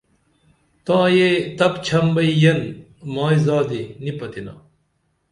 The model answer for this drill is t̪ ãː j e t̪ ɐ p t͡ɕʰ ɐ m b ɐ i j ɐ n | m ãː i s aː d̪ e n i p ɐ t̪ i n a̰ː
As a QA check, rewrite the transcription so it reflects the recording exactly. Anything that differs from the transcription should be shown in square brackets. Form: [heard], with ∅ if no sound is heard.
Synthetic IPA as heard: t̪ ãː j e t̪ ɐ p t͡ɕʰ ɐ m b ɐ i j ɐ n | m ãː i [z] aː d̪ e n i p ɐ t̪ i n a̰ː